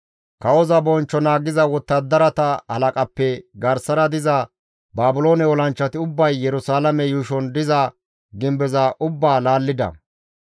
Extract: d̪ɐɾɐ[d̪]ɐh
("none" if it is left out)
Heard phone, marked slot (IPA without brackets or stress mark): t̪